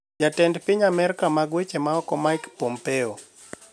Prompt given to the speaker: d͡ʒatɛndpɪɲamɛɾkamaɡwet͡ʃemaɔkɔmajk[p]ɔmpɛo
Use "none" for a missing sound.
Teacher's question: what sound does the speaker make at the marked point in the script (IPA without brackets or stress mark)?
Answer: p